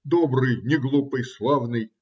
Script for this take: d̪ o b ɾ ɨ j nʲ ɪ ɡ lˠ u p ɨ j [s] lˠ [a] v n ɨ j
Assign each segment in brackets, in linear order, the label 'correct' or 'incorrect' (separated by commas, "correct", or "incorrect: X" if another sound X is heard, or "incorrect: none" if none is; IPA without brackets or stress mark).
correct, correct